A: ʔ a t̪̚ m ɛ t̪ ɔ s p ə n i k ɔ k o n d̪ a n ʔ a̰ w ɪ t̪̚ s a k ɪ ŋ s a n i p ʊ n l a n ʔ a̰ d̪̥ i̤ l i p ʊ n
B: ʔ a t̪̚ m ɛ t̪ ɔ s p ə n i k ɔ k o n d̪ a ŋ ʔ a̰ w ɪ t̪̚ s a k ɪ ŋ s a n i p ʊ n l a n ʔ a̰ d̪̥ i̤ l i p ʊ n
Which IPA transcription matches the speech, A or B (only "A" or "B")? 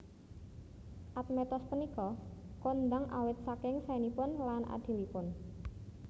B